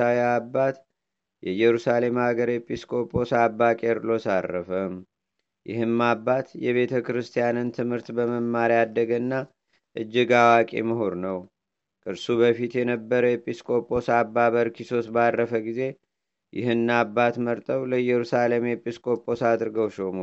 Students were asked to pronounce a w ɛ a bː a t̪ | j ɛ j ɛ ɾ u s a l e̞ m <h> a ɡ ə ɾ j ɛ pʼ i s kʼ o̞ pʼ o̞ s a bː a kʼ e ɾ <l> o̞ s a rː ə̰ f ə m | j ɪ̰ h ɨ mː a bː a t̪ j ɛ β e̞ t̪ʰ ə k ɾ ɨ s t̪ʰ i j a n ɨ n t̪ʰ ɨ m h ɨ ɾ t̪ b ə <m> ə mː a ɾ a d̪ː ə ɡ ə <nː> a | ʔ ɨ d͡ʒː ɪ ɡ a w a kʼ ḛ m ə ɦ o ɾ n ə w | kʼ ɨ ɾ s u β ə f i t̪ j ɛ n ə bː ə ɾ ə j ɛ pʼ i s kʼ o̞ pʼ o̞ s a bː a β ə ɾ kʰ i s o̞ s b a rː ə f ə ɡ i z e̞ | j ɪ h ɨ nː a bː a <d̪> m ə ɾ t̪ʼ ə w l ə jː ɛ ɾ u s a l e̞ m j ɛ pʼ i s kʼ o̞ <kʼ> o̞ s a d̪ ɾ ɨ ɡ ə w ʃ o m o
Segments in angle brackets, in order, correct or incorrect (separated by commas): correct, correct, correct, correct, incorrect, incorrect